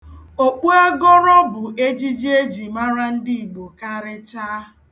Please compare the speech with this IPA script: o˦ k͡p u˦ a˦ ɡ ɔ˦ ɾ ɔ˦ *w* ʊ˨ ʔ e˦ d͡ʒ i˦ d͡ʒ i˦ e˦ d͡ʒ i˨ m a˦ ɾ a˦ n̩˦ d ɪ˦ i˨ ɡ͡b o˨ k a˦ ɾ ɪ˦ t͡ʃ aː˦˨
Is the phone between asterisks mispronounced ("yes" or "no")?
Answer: yes